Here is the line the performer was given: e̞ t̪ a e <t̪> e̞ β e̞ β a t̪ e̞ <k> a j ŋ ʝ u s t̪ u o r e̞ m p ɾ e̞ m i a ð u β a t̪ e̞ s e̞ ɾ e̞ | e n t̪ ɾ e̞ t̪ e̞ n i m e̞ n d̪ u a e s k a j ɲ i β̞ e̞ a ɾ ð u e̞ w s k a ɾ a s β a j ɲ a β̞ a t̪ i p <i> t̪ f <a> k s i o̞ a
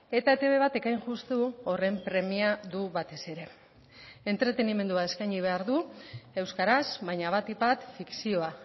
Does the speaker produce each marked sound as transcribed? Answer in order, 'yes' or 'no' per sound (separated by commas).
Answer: yes, yes, no, no